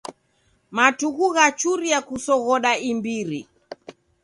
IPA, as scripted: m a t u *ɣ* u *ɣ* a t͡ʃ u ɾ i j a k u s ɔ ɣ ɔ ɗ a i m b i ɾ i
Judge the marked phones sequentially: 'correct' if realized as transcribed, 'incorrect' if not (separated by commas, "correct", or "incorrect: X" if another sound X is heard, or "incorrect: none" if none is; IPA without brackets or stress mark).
correct, correct